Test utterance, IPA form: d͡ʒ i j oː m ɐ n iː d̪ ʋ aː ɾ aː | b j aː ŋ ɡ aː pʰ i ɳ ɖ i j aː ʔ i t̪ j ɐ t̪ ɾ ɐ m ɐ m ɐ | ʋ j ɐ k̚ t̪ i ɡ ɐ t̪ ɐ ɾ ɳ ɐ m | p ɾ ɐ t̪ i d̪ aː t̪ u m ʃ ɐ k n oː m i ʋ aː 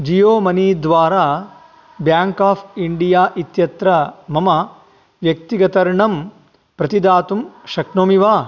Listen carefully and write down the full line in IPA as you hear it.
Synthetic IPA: d͡ʒ i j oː m ɐ n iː d̪ ʋ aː ɾ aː | b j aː ŋ k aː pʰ i ɳ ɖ i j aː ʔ i t̪ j ɐ t̪ ɾ ɐ m ɐ m ɐ | ʋ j ɐ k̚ t̪ i ɡ ɐ t̪ ɐ ɾ ɳ ɐ m | p ɾ ɐ t̪ i d̪ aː t̪ u m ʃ ɐ k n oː m i ʋ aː